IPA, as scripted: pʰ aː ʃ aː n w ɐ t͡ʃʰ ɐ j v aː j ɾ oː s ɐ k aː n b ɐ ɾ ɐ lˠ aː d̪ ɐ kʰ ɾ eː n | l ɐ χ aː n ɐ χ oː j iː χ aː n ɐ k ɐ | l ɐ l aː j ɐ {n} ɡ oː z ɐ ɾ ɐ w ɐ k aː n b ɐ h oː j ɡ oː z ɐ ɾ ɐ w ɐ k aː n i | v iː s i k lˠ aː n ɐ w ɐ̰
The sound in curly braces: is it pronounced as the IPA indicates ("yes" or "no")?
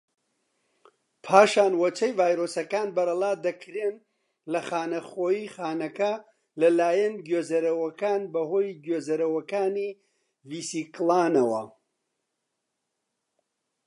yes